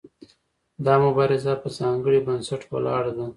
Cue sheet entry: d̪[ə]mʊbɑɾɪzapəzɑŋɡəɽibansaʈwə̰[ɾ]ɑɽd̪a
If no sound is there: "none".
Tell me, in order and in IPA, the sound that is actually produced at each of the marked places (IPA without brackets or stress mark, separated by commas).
ɑ, l